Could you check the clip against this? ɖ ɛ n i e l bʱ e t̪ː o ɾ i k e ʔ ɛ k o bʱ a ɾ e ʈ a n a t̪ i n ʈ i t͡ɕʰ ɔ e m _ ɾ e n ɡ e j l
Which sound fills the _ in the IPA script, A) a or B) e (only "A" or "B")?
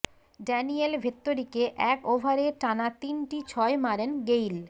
A